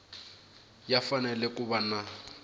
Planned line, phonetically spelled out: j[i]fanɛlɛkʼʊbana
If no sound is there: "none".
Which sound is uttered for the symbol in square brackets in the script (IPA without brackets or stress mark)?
a